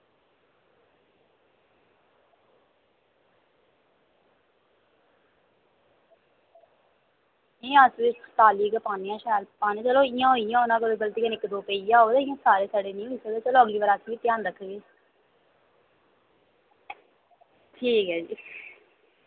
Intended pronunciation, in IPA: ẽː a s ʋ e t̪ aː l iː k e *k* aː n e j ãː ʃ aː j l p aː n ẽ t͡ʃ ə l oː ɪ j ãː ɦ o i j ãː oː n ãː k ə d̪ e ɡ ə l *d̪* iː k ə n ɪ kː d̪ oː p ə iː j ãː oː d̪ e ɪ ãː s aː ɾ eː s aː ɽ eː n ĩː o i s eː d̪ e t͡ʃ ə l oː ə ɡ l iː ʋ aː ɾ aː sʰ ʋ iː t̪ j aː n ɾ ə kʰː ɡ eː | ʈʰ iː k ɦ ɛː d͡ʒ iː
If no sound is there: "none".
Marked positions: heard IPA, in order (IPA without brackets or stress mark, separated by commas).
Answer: p, t̪